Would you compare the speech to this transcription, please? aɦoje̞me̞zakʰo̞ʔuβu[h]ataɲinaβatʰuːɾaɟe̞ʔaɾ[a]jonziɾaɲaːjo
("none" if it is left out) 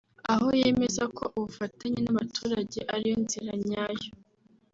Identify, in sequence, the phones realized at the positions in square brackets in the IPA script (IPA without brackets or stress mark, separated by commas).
f, i